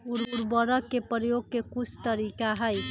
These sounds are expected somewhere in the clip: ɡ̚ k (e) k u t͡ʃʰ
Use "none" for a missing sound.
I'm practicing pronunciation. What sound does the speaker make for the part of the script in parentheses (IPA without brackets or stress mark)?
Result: e